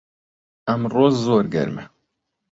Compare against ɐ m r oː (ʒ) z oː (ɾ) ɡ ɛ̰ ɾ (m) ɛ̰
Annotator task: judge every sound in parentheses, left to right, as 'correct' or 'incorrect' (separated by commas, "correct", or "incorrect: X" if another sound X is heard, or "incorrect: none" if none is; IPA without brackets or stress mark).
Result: incorrect: z, correct, correct